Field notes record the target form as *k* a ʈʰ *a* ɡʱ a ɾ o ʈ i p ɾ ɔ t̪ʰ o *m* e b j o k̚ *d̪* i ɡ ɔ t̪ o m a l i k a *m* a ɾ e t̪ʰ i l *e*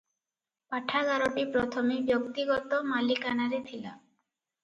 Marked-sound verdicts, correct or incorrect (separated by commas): incorrect, correct, correct, incorrect, incorrect, incorrect